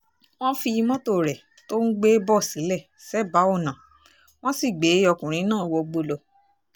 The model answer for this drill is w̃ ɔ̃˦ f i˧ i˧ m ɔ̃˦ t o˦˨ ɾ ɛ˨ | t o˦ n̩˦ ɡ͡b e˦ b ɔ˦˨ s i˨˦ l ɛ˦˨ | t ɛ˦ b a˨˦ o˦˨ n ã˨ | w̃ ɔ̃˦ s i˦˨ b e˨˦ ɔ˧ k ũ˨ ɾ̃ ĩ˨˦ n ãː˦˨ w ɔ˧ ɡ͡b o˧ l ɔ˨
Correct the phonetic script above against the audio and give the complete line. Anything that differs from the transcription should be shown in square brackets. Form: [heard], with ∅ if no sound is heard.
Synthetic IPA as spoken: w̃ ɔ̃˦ f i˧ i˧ m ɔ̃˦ t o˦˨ ɾ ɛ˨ | t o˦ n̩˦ ɡ͡b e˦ b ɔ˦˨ s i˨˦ l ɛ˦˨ | [s] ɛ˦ b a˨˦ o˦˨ n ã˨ | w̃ ɔ̃˦ s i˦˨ [ɡ͡b] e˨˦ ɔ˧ k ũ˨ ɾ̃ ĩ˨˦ n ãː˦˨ w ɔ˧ ɡ͡b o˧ l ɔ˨